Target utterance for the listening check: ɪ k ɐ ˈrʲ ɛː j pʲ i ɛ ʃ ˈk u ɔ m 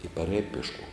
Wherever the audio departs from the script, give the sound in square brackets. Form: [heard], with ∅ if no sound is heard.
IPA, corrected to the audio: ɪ [p] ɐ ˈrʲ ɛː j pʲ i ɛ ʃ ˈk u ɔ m